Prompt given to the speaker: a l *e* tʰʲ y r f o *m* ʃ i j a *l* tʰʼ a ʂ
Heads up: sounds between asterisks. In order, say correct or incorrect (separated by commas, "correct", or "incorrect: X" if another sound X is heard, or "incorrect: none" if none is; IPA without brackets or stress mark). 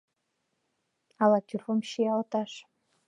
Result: incorrect: a, correct, correct